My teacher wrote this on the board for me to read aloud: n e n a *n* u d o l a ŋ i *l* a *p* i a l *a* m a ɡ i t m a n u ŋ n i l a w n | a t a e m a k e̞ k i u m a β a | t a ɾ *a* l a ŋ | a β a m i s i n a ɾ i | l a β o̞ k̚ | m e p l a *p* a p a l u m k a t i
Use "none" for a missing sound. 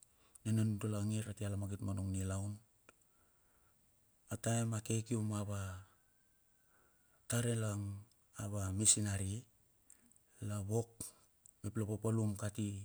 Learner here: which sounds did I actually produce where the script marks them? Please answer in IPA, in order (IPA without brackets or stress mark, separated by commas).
n, ɾ, t, a, e, p